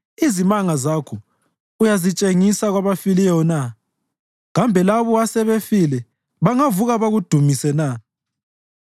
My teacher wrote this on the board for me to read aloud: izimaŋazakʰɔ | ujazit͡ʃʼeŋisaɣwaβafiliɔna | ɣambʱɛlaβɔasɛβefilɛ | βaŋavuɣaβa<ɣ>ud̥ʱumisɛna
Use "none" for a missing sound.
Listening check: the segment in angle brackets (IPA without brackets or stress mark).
ɣ